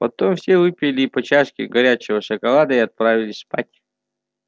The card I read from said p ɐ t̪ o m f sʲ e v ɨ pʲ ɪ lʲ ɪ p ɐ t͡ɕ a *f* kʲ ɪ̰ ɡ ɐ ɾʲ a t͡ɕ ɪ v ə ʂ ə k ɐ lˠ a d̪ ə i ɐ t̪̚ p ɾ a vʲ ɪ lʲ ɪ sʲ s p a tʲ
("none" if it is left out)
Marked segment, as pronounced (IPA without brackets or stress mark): ʂ